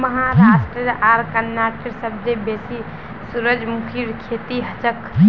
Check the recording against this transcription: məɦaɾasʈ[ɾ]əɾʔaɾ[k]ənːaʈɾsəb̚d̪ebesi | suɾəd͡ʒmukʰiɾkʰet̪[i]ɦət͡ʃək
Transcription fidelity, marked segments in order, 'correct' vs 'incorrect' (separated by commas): correct, correct, correct